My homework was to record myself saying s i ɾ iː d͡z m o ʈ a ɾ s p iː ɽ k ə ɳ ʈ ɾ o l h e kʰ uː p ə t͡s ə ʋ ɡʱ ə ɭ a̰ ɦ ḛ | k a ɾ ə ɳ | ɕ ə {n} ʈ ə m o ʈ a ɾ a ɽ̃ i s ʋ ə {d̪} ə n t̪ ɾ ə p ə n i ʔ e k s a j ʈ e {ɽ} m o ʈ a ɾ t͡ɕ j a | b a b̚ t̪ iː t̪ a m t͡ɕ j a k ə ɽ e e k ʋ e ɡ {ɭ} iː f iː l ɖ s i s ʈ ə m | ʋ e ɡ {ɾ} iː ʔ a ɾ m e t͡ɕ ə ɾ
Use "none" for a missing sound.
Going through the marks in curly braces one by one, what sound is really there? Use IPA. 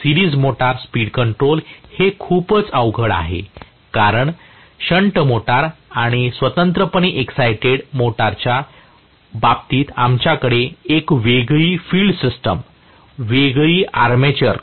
ɳ, t̪, ɽ, ɭ, ɭ

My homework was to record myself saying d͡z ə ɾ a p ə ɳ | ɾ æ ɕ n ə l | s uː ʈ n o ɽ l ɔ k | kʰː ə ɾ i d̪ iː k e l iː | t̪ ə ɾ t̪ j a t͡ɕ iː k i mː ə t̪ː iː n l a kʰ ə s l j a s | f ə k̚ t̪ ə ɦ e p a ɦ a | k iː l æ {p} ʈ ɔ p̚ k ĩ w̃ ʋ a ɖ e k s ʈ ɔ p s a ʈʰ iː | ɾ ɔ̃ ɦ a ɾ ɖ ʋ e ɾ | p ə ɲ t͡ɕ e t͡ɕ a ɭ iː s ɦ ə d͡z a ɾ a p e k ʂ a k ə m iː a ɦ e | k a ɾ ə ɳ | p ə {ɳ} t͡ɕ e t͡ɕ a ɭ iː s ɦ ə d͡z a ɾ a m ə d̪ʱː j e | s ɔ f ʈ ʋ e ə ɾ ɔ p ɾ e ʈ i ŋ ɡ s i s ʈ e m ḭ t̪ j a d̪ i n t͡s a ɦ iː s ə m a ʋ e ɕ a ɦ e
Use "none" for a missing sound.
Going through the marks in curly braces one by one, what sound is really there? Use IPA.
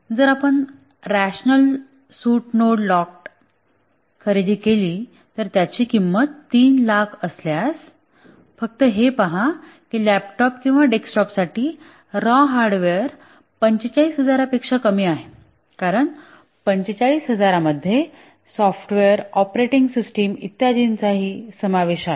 p, ɲ

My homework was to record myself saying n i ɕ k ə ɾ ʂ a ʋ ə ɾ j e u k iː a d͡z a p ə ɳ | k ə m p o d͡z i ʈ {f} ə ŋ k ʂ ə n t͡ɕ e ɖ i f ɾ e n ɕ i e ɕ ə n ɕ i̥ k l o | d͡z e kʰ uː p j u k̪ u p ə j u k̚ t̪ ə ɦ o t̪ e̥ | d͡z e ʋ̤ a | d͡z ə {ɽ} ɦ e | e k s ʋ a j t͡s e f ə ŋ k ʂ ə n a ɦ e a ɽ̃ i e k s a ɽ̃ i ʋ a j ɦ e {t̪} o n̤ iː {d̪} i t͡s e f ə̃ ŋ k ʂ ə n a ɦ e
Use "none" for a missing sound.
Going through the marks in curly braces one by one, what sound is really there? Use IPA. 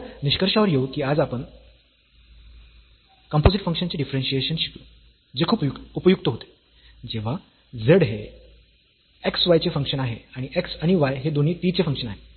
f, ɽ, d̪, t̪

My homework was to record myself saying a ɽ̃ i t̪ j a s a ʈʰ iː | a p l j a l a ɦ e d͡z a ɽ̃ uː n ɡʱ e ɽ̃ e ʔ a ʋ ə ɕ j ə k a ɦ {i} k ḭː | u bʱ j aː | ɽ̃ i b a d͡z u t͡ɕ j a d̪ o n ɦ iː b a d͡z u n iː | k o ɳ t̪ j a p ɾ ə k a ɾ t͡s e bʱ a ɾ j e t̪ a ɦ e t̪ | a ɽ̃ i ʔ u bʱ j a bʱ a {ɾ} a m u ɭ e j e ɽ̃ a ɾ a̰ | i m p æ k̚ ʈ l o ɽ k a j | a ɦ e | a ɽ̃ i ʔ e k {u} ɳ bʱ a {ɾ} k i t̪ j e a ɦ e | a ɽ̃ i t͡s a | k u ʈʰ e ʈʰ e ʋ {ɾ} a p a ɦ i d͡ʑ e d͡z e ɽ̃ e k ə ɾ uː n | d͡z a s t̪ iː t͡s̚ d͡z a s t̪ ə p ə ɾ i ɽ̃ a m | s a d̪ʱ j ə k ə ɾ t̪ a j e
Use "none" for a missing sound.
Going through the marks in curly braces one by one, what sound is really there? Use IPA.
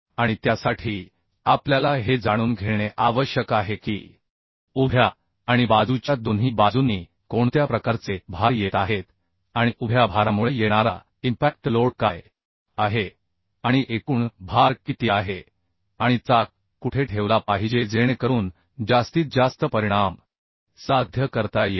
e, ɾ, uː, ɾ, l

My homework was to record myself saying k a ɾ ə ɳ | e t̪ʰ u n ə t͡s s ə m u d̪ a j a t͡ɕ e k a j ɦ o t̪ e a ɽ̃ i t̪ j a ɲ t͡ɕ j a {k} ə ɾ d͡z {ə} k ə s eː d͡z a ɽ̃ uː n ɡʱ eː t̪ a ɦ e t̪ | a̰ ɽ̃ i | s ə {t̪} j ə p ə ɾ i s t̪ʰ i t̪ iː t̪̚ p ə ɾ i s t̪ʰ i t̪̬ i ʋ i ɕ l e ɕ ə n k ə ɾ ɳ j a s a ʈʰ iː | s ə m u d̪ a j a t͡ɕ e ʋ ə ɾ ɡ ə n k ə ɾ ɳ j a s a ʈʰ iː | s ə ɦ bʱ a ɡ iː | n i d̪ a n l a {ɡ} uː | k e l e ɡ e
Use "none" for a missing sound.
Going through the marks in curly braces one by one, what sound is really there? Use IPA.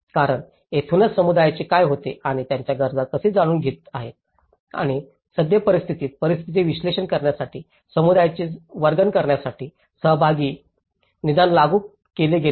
ɡ, a, d̪, ɡ

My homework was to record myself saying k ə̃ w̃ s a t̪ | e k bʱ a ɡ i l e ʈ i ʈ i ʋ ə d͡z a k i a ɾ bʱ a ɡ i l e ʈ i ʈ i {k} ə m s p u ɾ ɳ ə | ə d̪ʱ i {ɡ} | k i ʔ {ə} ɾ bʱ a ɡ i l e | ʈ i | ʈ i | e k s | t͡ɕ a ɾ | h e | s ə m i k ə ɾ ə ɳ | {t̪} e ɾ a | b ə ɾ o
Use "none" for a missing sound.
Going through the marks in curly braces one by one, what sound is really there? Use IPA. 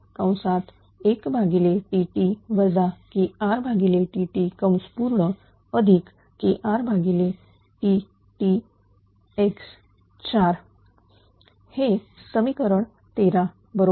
k, k, a, t̪

